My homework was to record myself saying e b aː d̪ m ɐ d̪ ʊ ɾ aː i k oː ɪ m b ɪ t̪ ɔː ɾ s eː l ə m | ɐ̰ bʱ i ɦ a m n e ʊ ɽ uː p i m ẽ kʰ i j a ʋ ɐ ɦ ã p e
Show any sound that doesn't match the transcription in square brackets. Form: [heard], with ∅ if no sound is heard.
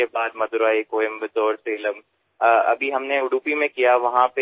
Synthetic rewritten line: e b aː d̪ m ɐ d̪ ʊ ɾ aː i k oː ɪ m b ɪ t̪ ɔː ɾ s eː l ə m | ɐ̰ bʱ i ɦ [ɐ] m n e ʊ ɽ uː p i m ẽ [k] i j a ʋ ɐ ɦ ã p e